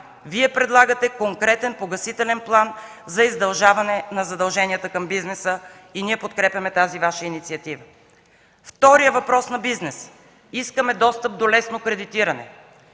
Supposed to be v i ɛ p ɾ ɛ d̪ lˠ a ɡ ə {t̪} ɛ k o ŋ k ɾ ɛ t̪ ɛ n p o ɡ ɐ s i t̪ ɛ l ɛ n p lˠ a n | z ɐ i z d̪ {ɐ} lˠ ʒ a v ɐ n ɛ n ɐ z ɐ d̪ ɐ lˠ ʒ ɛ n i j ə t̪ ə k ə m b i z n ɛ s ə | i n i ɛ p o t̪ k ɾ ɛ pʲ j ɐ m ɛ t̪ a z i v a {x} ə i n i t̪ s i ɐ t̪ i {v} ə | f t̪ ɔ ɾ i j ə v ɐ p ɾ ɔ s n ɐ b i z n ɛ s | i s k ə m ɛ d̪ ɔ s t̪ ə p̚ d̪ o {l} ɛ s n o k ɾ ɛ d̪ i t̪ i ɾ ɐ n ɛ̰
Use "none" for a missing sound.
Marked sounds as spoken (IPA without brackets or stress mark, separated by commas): t̪, ɐ, ʃ, v, l